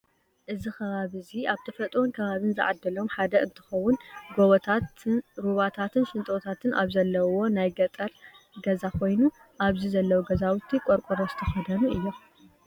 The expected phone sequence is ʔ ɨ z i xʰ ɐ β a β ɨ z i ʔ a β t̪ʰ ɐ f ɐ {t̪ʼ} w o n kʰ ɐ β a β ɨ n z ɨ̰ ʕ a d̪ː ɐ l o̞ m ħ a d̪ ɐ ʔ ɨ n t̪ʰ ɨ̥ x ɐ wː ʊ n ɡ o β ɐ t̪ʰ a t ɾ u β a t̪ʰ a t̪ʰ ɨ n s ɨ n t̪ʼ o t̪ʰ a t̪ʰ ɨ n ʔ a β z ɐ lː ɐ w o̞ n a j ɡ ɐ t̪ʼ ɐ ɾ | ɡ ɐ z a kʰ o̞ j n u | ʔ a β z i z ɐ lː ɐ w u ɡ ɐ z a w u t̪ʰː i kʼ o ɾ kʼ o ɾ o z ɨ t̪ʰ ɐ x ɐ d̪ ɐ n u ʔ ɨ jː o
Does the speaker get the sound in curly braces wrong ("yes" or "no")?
no